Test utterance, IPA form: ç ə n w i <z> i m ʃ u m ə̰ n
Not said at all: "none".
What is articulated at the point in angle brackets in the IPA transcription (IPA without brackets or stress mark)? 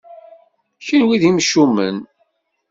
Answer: ð